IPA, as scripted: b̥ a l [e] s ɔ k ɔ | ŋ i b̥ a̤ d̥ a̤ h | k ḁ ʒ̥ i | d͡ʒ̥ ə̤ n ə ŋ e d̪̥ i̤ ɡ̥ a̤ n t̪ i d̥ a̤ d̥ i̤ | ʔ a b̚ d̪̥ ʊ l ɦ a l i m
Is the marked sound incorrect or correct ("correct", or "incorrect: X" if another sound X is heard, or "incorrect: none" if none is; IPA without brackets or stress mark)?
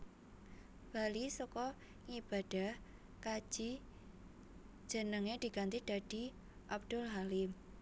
incorrect: i